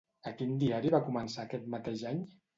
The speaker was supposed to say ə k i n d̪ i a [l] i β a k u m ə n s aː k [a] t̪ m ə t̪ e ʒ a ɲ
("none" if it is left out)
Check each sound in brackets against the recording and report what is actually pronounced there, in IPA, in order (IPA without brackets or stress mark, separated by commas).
ɾ, ɛ